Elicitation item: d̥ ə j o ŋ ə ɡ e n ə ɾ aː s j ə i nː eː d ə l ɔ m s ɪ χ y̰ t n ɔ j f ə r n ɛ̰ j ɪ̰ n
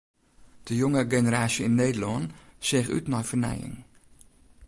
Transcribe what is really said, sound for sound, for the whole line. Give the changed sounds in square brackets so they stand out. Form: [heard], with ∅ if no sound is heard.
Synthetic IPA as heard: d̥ ə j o ŋ ə ɡ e n ə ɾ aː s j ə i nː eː d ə l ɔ [n] s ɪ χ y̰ t n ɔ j f ə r n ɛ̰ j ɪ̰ [ŋ]